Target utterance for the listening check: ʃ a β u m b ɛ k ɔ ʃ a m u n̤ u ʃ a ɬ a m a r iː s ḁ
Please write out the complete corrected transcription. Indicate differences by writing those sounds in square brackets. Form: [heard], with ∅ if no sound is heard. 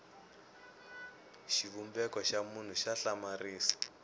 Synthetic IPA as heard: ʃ [i] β u m b ɛ k ɔ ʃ a m u n̤ u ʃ a ɬ a m a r iː s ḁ

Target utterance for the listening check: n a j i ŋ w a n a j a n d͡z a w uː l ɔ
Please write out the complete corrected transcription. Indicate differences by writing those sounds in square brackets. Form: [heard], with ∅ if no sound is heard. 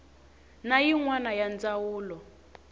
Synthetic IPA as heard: n a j i ŋ w a n a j a n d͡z a w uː l ɔ

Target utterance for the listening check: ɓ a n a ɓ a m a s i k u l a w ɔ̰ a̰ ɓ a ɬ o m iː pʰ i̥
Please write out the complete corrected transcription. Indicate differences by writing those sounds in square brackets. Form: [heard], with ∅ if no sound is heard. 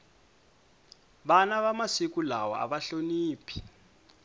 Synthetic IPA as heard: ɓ a n a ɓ a m a s i k u l a w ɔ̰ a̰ ɓ a ɬ o [n] iː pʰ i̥

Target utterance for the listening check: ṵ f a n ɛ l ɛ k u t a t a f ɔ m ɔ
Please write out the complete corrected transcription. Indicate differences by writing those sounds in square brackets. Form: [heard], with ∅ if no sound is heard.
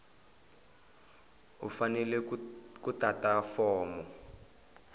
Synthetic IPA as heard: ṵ f a n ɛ l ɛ k u t a t a f [ɔː] m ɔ

